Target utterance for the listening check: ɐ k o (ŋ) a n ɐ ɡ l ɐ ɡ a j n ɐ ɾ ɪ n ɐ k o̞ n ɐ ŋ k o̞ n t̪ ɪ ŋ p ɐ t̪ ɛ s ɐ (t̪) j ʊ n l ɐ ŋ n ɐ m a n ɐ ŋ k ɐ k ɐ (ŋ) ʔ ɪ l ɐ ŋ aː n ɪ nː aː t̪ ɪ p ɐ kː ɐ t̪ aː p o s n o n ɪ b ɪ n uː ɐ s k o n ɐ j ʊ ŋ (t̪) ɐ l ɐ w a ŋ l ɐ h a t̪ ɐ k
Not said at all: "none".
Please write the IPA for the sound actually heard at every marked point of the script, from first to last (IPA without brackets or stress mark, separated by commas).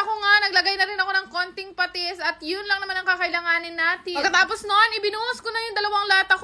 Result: ŋ, t̪, none, d̪